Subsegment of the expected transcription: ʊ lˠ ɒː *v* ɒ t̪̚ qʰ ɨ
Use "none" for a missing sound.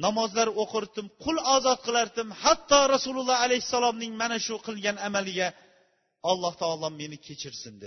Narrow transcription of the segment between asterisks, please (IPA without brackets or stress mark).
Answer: z